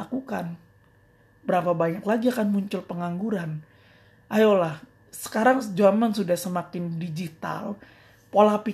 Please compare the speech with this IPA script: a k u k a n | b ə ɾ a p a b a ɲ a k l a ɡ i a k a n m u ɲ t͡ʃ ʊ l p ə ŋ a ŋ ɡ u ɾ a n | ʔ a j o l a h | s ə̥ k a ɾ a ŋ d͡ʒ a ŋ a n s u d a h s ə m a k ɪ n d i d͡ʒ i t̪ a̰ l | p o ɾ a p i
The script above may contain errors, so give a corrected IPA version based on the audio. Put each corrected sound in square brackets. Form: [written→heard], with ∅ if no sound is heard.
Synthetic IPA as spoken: a k u k a n | b ə ɾ a p a b a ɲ a k l a ɡ i a k a n m u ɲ t͡ʃ ʊ l p ə ŋ a ŋ ɡ u ɾ a n | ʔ a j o l a h | s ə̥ k a ɾ a ŋ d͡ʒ a [ŋ→m] a n s u d a h s ə m a k ɪ n d i d͡ʒ i t̪ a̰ l | p o [ɾ→l] a p i